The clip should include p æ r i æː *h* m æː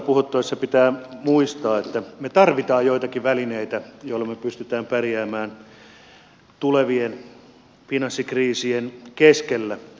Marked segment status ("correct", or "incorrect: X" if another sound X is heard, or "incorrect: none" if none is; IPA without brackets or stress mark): incorrect: none